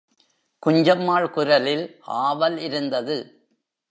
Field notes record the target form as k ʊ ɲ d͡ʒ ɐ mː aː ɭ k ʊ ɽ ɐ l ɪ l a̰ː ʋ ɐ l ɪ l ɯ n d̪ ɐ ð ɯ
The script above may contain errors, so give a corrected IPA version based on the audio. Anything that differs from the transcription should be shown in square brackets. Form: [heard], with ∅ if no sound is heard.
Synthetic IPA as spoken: k ʊ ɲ d͡ʒ ɐ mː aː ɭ k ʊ [ɾ] ɐ l ɪ l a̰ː ʋ ɐ l ɪ [ɾ] ɯ n d̪ ɐ ð ɯ